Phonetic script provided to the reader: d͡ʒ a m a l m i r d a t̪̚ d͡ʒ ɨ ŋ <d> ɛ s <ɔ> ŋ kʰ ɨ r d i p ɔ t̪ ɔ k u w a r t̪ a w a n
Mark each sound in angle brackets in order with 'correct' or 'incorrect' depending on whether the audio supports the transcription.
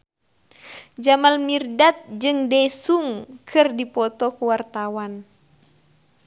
correct, incorrect

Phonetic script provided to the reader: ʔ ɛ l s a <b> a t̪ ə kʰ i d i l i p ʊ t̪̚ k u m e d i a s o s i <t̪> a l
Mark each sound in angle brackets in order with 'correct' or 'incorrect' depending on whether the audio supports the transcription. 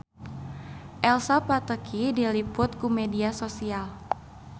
incorrect, incorrect

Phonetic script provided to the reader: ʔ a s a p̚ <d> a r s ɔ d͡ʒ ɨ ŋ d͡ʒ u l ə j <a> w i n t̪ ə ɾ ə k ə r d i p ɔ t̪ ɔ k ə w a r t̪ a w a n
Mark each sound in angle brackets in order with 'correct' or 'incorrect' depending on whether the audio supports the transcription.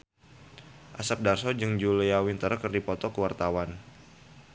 correct, correct

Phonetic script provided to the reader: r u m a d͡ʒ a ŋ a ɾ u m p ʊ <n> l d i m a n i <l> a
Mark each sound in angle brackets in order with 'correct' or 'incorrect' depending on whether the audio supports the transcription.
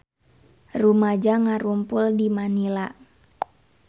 incorrect, correct

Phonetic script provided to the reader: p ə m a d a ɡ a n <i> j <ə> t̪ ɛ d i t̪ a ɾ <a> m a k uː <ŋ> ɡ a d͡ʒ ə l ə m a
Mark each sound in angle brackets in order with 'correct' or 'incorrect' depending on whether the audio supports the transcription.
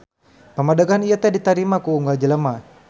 correct, incorrect, incorrect, correct

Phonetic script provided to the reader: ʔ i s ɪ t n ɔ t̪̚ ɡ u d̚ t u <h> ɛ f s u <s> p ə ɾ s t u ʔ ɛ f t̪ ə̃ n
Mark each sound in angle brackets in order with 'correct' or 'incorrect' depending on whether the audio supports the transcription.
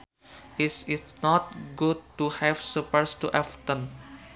correct, incorrect

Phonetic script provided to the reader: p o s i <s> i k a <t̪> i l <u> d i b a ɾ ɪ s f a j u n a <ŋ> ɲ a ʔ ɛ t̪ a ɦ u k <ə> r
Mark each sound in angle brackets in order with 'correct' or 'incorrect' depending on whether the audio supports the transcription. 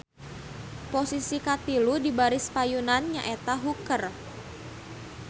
correct, correct, correct, incorrect, correct

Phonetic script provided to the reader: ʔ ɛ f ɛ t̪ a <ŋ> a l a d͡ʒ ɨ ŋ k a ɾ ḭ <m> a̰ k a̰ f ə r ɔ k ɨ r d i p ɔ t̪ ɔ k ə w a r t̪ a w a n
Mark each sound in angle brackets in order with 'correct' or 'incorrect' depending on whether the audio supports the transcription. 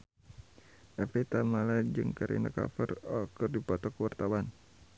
incorrect, incorrect

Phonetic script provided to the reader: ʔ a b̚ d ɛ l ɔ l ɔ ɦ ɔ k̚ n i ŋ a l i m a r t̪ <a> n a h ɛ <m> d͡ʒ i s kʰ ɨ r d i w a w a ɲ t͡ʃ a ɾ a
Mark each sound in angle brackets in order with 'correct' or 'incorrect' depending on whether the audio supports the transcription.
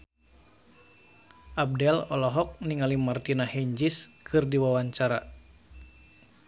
incorrect, incorrect

